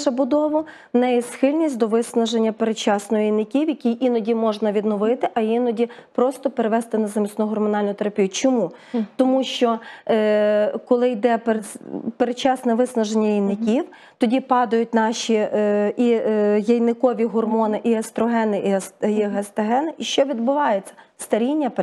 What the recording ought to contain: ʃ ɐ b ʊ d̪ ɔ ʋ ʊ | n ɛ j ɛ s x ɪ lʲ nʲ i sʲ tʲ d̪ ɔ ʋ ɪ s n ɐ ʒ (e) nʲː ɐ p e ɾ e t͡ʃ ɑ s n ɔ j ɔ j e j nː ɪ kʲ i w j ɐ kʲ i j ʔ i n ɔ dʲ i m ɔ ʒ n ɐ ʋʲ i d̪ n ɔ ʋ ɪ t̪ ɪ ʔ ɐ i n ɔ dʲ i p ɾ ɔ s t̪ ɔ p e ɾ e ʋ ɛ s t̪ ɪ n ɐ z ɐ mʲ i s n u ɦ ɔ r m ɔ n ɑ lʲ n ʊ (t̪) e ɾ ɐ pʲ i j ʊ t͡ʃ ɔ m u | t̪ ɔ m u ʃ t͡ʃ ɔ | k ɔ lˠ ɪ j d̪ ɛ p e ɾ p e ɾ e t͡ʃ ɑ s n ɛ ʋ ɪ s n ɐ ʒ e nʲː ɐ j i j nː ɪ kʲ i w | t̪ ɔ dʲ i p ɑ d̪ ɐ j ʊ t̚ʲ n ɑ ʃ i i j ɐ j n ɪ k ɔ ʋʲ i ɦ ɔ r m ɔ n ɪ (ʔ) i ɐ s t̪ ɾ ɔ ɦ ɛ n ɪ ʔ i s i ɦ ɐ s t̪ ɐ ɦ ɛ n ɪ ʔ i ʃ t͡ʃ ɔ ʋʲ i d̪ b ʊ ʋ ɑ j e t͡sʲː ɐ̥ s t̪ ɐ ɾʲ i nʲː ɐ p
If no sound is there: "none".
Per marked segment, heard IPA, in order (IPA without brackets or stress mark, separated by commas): e, t̪, ʔ